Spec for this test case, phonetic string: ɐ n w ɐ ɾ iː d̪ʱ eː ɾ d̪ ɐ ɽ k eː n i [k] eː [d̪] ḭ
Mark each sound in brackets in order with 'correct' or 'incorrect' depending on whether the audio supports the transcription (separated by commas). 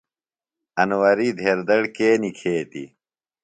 incorrect, incorrect